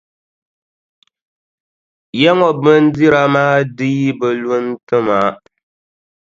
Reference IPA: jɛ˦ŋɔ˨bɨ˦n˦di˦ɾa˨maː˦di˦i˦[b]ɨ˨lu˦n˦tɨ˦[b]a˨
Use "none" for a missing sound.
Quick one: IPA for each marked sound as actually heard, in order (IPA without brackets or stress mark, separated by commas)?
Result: b, m